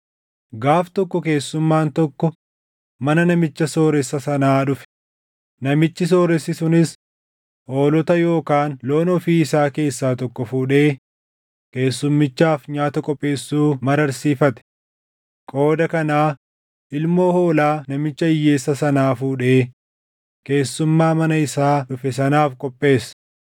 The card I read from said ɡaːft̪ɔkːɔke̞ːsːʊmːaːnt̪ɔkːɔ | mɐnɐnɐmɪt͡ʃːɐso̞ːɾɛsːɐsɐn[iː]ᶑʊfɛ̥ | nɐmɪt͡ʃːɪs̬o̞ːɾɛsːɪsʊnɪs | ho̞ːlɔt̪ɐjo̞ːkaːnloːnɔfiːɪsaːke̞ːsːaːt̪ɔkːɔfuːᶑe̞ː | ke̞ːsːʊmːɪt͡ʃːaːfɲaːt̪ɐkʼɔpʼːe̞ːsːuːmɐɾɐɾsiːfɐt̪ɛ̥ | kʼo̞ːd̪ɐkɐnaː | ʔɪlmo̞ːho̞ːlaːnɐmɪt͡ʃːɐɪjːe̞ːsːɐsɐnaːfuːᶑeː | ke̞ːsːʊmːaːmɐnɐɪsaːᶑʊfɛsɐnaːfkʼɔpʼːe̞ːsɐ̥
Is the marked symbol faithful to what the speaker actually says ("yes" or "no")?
no